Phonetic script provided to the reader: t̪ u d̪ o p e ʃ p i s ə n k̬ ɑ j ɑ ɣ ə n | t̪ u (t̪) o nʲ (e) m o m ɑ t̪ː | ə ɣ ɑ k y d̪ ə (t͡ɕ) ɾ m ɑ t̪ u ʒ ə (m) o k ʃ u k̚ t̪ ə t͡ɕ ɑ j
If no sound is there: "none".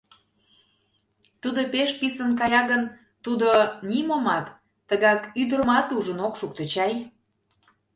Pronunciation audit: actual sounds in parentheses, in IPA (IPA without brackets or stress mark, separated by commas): d̪, i, none, n